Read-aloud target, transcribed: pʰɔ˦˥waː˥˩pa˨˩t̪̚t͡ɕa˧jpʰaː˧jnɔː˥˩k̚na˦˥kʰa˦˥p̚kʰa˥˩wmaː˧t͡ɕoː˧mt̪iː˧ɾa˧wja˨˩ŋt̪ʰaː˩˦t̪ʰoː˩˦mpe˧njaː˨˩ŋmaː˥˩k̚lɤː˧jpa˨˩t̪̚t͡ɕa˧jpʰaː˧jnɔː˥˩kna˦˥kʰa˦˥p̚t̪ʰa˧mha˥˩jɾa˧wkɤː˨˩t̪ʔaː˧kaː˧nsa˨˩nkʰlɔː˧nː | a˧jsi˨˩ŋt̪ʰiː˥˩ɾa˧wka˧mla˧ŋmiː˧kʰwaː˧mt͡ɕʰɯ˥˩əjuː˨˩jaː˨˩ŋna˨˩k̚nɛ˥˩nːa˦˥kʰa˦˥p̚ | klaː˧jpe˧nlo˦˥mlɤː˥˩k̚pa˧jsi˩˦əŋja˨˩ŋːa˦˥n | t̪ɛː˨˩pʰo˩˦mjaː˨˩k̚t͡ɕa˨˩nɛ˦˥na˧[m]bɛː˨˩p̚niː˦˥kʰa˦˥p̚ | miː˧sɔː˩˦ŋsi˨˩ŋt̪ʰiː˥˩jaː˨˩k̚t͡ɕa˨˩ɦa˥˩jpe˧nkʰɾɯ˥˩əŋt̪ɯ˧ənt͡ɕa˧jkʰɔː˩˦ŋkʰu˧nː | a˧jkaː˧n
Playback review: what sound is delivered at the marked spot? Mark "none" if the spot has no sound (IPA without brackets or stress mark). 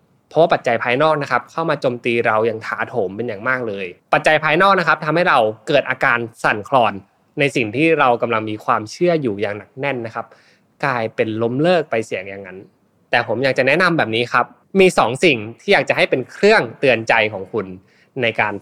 m